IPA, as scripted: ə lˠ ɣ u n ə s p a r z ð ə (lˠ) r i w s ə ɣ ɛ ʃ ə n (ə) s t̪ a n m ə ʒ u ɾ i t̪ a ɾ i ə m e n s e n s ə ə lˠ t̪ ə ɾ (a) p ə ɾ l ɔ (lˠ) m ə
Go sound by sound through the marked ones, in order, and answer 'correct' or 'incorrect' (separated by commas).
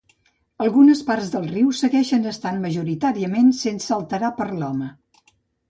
correct, correct, correct, incorrect